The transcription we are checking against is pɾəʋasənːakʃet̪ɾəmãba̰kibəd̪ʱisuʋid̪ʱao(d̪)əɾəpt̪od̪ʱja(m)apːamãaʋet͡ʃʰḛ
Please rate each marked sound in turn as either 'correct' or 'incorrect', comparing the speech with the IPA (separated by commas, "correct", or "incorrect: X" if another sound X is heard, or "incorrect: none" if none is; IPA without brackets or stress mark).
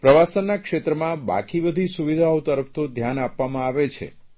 incorrect: t̪, incorrect: n